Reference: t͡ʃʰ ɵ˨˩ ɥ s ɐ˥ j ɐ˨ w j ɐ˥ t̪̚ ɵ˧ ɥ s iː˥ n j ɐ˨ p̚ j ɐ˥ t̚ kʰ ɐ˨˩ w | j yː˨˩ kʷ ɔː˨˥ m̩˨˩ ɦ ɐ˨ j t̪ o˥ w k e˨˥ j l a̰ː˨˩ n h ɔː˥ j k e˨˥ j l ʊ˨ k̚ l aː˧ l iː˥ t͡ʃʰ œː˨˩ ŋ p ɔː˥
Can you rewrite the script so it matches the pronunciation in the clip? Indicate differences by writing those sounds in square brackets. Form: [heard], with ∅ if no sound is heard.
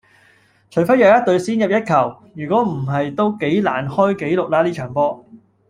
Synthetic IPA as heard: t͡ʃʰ ɵ˨˩ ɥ [f] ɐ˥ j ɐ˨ w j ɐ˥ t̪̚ ɵ˧ ɥ s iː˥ n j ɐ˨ p̚ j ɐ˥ t̚ kʰ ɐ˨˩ w | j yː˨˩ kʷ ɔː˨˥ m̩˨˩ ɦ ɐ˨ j t̪ o˥ w k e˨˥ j l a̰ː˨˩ n h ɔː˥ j k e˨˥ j l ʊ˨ k̚ l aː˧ l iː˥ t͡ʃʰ œː˨˩ ŋ p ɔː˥